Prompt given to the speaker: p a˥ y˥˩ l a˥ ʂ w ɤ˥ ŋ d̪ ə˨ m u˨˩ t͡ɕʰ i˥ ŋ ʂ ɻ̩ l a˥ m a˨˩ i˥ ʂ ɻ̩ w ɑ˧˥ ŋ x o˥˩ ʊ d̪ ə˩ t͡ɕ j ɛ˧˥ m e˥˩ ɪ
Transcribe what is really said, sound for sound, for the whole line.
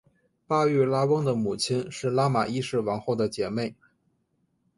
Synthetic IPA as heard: p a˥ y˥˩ l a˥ w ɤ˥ ŋ d̪ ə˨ m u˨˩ t͡ɕʰ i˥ n ʂ ɻ̩ l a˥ m a˨˩ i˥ ʂ ɻ̩ w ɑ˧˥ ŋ x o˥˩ ʊ d̪ ə˩ t͡ɕ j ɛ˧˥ m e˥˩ ɪ